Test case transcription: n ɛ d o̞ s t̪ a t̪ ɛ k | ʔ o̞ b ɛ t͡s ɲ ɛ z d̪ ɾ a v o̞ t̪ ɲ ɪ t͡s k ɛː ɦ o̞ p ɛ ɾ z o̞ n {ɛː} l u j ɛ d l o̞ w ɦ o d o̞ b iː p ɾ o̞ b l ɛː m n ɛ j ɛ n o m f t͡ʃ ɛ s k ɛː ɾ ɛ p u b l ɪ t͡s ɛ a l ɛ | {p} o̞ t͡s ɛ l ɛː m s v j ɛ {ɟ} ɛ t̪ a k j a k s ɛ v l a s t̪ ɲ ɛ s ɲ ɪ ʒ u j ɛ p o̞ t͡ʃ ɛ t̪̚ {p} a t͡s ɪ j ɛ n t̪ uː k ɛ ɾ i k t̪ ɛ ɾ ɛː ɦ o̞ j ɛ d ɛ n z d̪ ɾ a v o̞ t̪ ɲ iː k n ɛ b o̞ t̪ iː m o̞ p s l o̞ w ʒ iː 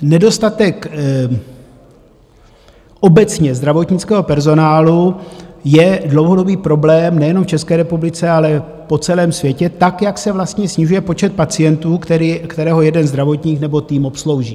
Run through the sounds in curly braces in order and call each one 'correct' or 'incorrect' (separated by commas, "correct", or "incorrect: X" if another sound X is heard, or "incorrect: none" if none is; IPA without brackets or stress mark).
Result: incorrect: aː, correct, incorrect: c, correct